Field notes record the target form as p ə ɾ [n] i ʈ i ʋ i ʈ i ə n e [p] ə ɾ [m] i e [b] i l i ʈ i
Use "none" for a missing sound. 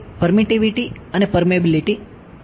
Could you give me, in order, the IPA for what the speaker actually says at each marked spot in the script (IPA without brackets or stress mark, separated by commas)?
m, p, m, b